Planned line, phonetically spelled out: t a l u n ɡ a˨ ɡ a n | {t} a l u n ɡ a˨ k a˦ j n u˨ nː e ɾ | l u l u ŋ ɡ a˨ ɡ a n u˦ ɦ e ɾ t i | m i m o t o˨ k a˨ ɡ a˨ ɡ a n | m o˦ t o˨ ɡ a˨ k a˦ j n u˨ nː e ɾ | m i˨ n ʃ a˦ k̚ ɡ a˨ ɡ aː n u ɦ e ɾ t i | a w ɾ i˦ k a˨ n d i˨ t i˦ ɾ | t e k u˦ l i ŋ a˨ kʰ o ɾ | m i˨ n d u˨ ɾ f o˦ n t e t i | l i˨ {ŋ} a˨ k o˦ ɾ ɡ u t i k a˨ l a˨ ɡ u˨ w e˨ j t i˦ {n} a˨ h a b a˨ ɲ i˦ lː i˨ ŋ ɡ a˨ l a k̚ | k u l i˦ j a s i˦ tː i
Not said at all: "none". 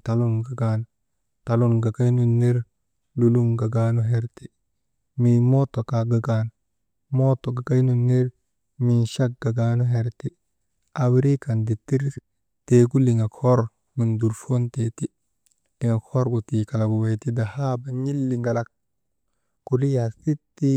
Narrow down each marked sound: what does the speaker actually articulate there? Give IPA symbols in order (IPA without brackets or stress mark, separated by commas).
t, ŋ, d